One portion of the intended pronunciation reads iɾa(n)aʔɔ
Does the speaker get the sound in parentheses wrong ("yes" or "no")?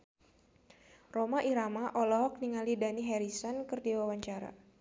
yes